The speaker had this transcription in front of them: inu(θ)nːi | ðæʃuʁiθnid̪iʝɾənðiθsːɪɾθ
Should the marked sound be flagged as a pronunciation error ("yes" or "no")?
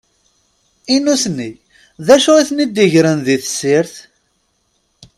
yes